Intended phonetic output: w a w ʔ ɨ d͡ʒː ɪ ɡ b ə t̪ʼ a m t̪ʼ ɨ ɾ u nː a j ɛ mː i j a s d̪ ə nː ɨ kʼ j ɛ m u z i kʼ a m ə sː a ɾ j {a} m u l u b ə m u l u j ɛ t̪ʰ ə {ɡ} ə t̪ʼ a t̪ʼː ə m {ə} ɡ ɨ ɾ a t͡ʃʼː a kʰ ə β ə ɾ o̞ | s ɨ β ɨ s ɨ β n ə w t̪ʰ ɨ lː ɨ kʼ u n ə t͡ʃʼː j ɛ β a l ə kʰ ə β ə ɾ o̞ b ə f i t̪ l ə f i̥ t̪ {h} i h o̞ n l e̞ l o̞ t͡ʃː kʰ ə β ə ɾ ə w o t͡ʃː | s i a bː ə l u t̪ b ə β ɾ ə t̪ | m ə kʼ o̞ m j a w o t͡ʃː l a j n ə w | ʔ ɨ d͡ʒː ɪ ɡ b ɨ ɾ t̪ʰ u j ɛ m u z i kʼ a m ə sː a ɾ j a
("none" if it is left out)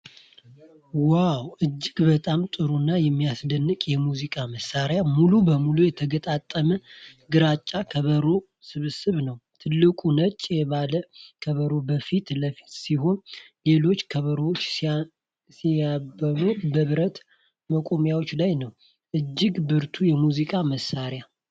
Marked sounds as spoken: a, ɡ, ə, s

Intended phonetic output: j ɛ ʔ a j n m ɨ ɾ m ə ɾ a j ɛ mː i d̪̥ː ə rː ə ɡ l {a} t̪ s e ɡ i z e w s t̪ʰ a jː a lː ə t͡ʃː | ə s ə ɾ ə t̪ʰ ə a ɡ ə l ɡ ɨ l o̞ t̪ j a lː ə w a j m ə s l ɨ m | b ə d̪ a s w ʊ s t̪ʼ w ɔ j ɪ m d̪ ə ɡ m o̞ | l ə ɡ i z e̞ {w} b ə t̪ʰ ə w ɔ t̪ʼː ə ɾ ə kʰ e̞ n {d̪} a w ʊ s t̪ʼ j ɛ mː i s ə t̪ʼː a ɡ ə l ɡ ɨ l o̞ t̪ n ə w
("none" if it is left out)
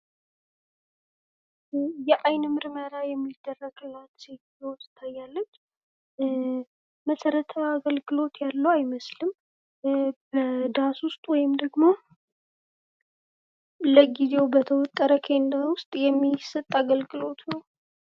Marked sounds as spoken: a, w, d̪

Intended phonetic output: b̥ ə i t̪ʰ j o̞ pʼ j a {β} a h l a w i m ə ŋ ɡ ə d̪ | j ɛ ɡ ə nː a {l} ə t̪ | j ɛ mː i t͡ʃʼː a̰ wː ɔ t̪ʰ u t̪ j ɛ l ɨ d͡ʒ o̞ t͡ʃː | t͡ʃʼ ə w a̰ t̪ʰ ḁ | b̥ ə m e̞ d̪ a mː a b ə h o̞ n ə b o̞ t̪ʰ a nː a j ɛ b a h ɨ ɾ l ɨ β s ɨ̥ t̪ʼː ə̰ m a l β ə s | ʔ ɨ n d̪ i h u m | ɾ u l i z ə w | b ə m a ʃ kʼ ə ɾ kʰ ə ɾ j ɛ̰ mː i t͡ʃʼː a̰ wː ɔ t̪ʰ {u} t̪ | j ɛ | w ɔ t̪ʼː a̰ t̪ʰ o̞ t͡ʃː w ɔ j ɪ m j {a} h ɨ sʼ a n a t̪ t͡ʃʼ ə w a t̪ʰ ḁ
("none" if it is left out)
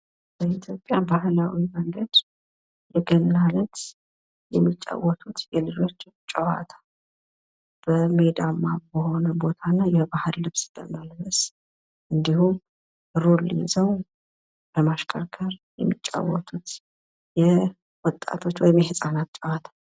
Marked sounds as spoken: b, l, u, ɛ

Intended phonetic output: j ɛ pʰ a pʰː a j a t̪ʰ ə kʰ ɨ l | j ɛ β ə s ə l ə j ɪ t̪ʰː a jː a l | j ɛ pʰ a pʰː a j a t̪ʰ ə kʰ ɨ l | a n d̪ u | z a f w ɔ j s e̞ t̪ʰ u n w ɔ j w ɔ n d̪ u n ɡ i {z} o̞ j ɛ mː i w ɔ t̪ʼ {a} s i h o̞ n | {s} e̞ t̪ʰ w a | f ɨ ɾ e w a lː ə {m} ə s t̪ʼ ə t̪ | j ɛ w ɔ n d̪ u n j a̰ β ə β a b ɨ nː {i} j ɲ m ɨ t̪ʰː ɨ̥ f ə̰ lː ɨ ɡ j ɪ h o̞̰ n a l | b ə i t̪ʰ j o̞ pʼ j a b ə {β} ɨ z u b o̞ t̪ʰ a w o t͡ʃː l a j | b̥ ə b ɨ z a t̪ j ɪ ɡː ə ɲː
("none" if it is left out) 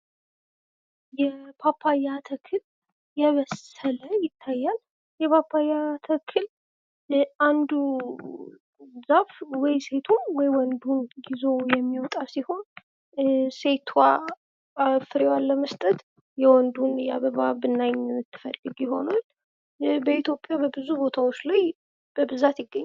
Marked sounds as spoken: z, a, s, m, a, b

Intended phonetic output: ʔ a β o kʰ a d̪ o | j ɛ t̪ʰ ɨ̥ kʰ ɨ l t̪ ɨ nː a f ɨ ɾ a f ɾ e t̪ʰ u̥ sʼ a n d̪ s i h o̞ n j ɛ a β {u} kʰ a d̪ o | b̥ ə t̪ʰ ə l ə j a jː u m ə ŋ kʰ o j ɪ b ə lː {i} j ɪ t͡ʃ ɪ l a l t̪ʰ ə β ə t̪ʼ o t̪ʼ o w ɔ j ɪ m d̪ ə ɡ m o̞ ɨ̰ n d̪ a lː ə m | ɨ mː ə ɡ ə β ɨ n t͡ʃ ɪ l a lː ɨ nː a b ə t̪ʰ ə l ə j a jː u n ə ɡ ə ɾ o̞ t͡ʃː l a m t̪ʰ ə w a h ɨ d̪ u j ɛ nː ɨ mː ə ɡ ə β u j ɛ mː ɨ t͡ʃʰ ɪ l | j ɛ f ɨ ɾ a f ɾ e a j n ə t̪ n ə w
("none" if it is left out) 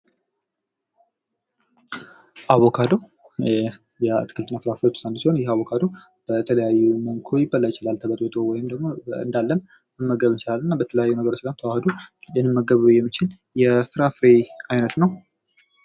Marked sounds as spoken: o, a

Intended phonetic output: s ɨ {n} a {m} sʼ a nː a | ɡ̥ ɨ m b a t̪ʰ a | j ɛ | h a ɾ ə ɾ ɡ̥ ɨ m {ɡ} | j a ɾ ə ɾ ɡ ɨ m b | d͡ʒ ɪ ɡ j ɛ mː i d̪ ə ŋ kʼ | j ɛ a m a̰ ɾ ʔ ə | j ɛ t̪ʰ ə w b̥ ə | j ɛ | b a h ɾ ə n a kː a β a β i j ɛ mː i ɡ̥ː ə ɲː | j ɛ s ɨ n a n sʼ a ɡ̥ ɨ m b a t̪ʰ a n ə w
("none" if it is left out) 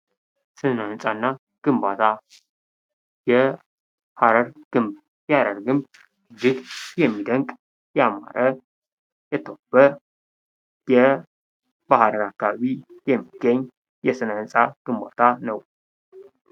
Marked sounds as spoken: n, n, b

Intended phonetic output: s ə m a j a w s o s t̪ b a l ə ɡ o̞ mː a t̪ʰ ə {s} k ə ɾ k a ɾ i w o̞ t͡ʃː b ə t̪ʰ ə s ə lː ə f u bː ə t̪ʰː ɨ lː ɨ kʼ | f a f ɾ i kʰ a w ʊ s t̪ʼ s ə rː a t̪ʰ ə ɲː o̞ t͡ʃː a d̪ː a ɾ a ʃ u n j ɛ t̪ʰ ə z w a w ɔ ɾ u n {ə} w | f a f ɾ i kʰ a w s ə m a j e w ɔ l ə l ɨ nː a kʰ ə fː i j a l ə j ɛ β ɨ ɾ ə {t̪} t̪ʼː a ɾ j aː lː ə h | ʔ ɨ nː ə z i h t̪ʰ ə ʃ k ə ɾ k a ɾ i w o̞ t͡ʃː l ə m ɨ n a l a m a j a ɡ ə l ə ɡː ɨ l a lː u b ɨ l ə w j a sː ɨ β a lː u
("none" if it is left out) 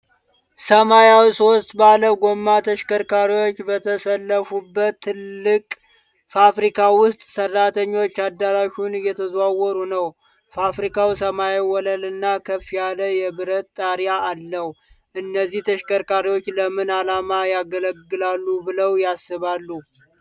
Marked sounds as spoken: ʃ, ə, t̪

